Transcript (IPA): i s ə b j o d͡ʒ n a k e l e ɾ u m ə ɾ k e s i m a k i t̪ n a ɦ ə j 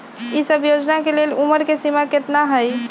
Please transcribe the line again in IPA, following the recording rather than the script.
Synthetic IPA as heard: i s ə b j o d͡ʒ n a k e l e l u m ə ɾ k e s i m a k e t̪ n a ɦ ə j